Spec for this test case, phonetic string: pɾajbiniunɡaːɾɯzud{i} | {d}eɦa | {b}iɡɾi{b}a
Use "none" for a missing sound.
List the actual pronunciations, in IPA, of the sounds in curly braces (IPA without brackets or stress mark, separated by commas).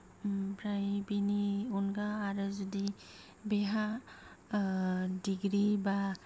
i, b, d, b